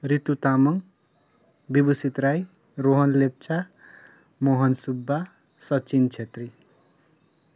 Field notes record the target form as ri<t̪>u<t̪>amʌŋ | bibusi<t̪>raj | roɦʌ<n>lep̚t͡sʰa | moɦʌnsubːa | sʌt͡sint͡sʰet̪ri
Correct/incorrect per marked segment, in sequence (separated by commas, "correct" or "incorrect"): correct, correct, correct, correct